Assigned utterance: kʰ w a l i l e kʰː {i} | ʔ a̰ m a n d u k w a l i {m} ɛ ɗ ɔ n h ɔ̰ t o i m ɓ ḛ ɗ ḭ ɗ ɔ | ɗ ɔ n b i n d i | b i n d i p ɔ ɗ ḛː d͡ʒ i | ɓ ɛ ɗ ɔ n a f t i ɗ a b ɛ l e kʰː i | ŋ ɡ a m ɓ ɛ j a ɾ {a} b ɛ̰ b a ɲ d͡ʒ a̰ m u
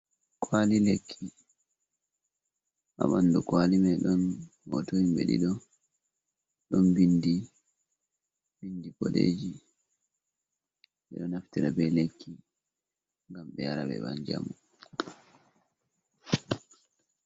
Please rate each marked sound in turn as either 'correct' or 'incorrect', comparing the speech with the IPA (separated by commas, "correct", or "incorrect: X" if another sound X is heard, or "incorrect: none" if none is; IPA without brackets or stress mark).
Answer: correct, correct, correct